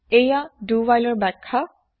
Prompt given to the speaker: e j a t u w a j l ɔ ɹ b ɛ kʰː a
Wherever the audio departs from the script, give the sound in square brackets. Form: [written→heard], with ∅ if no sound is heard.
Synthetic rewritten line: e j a [t→d] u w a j l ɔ ɹ b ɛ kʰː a